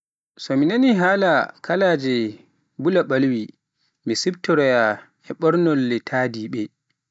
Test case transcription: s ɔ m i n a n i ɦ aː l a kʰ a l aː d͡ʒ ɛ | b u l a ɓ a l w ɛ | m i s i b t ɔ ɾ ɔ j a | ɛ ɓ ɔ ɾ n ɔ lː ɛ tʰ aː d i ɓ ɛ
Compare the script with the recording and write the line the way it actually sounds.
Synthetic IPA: s ɔ m i n a n i ɦ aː l a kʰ a l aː d͡ʒ ɛ | b u l a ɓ a l w i | m i s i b t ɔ ɾ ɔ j a | ɛ ɓ ɔ ɾ n ɔ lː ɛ tʰ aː d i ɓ ɛ